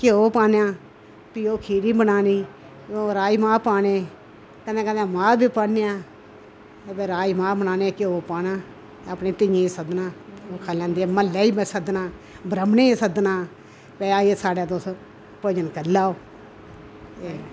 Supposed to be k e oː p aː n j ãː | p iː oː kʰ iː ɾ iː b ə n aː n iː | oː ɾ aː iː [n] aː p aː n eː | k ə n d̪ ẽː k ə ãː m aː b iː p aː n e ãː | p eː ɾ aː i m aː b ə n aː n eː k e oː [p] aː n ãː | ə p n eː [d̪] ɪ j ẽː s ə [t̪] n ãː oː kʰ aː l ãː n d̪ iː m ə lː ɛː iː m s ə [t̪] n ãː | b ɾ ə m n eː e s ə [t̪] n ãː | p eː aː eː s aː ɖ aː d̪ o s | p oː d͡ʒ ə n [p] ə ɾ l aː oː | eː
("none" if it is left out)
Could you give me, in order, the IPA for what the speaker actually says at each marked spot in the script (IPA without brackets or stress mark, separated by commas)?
m, p, t̪, d̪, d̪, d̪, k